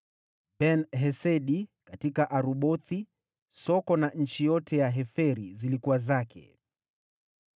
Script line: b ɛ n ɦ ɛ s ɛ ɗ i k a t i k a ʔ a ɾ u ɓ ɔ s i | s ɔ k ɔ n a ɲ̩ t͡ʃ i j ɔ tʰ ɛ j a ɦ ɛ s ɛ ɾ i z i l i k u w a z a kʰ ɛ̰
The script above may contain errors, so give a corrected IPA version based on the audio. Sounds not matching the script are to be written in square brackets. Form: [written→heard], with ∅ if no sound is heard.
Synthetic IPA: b ɛ n ɦ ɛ s ɛ ɗ i k a t i k a ʔ a ɾ u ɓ ɔ [s→θ] i | s ɔ k ɔ n a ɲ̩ t͡ʃ i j ɔ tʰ ɛ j a ɦ ɛ [s→f] ɛ ɾ i z i l i k u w a z a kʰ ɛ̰

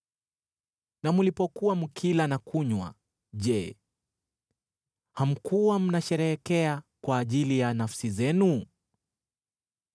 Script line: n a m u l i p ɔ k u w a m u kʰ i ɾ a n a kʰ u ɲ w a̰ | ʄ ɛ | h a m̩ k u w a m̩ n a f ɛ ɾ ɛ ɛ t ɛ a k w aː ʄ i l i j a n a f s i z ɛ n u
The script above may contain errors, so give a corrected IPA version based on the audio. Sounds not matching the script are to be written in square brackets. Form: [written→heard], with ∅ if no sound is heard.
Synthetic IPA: n a m u l i p ɔ k u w a m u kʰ i [ɾ→l] a n a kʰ u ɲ w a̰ | ʄ ɛ | h a m̩ k u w a m̩ n a [f→ʃ] ɛ ɾ ɛ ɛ [t→k] ɛ a k w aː ʄ i l i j a n a f s i z ɛ n u

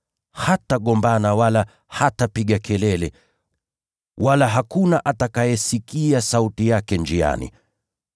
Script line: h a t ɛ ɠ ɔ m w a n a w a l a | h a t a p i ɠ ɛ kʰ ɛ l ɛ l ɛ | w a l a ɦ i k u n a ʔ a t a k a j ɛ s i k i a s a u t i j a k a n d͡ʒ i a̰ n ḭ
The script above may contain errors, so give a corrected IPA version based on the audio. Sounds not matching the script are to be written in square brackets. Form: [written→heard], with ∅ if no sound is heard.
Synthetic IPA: h a t [ɛ→a] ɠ ɔ m [w→b] a n a w a l a | h a t a p i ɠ [ɛ→a] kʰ ɛ l ɛ l ɛ | w a l a ɦ [i→a] k u n a ʔ a t a k a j ɛ s i k i a s a u t i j a k [a→ɛ] n d͡ʒ i a̰ n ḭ

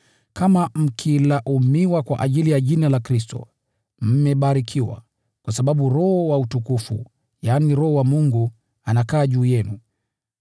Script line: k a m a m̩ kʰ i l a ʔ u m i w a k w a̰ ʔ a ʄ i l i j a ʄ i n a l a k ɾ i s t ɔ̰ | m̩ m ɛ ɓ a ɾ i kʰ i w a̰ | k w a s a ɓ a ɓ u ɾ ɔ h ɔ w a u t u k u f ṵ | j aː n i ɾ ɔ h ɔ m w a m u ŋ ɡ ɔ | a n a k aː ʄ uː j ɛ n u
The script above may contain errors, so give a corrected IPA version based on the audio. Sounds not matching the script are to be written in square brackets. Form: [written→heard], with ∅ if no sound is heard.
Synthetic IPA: k a m a m̩ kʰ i l a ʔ u m i w a k w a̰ ʔ a ʄ i l i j a ʄ i n a l a k ɾ i s t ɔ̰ | m̩ m ɛ ɓ a ɾ i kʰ i w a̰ | k w a s a ɓ a ɓ u ɾ ɔ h ɔ w a u t u k u f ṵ | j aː n i ɾ ɔ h ɔ [m→∅] w a m u ŋ ɡ [ɔ→u] | a n a k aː ʄ uː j ɛ n u

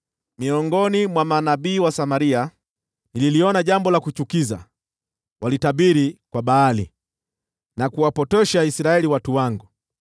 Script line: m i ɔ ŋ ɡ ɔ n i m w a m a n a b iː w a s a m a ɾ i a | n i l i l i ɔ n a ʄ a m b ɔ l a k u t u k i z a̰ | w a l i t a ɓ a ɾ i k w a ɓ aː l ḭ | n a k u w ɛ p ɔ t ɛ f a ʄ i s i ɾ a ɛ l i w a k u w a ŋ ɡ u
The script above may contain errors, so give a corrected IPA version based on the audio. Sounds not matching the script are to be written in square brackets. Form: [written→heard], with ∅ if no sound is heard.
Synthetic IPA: m i ɔ ŋ ɡ ɔ n i m w a m a n a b iː w a s a m a ɾ i a | n i l i l i ɔ n a ʄ a m b ɔ l a k u [t→t͡ʃ] u k i z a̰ | w a l i t a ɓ [a→i] ɾ i k w a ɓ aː l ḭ | n a k u w [ɛ→a] p ɔ t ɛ [f→ʃ] a [ʄ→∅] i s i ɾ a ɛ l i w a [k→t] u w a ŋ ɡ u

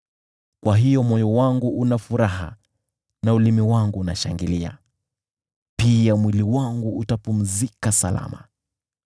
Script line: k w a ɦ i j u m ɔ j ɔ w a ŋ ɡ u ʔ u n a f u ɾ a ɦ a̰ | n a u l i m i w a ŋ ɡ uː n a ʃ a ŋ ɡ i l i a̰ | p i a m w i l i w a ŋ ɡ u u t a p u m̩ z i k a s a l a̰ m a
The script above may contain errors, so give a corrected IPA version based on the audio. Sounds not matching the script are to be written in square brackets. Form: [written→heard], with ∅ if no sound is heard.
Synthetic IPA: k w a ɦ i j [u→ɔ] m ɔ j ɔ w a ŋ ɡ u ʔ u n a f u ɾ a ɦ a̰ | n a u l i m i w a ŋ ɡ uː n a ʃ a ŋ ɡ i l i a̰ | p i a m w i l i w a ŋ ɡ u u t a p u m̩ z i k a s a l a̰ m a

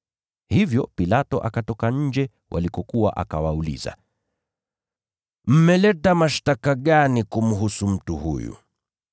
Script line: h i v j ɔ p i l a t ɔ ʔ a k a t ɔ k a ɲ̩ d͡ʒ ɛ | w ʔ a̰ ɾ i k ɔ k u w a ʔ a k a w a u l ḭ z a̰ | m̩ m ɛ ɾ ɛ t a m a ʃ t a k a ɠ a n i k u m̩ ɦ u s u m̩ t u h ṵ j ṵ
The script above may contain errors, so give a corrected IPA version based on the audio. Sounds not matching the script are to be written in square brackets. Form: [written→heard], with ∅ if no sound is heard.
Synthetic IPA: h i v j ɔ p i l a t ɔ ʔ a k a t ɔ k a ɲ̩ d͡ʒ ɛ | w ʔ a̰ [ɾ→l] i k ɔ k u w a ʔ a k a w a u l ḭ z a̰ | m̩ m ɛ [ɾ→l] ɛ t a m a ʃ t a k a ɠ a n i k u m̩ ɦ u s u m̩ t u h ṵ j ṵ

